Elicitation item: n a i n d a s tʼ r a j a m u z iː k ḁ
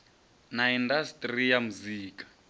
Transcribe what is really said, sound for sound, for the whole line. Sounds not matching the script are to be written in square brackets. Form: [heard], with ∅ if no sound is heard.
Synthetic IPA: n a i n d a s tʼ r [i] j a m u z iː k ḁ